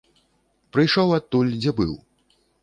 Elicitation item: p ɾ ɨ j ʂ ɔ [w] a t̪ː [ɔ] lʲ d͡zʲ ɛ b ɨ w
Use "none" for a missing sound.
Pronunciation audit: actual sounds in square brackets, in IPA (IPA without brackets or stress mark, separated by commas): w, u